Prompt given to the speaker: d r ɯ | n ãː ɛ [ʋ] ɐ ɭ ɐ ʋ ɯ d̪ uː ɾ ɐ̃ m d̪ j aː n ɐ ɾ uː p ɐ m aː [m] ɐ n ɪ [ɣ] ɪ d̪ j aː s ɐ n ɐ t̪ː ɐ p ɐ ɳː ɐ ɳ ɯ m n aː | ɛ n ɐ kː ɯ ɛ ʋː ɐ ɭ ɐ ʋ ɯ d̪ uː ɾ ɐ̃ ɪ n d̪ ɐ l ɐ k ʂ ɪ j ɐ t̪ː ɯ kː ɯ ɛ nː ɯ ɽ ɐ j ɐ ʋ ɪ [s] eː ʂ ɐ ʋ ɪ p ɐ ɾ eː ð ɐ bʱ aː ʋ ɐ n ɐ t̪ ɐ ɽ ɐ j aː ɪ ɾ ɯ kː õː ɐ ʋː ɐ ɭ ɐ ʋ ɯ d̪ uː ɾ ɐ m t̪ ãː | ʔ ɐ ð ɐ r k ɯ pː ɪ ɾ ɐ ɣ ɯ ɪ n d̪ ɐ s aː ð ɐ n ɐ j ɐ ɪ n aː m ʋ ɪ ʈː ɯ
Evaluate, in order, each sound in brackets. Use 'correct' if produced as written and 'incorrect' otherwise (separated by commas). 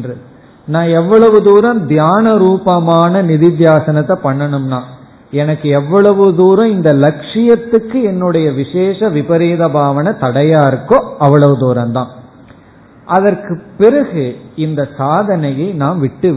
incorrect, incorrect, incorrect, incorrect